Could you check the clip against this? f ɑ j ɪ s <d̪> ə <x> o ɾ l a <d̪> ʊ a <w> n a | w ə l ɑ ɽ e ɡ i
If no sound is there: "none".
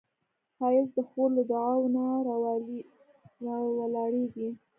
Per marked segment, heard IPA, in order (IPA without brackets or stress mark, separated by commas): d̪, x, d̪, w